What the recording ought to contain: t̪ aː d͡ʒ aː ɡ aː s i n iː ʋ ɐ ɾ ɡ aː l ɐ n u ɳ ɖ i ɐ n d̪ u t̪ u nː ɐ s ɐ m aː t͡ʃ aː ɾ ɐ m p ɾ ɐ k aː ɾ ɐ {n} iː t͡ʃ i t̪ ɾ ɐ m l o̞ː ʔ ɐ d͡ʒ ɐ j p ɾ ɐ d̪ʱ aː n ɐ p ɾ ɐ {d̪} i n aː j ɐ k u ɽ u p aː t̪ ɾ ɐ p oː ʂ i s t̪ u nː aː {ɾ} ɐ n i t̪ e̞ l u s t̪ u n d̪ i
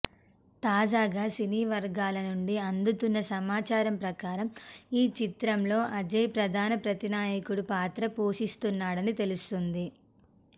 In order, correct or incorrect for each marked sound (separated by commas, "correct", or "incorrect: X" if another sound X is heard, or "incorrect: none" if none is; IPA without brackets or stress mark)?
incorrect: m, incorrect: t̪, incorrect: ɽ